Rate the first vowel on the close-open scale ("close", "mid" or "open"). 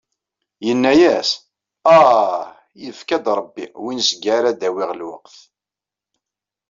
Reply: mid